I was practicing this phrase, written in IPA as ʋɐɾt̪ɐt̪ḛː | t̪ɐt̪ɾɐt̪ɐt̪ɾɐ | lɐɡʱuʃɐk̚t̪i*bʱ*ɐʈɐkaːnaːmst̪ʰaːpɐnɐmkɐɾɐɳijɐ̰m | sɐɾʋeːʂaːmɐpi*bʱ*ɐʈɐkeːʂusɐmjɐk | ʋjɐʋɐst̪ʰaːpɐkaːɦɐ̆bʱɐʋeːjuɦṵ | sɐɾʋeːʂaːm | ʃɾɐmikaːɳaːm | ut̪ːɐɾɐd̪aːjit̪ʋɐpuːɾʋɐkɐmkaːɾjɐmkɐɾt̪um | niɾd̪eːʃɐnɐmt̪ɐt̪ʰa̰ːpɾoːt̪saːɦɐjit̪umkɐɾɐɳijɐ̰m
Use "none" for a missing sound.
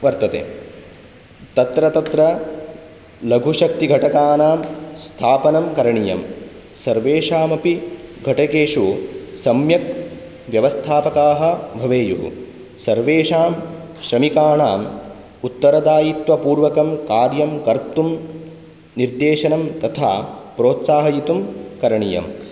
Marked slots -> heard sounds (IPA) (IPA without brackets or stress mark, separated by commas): ɡʱ, ɡʱ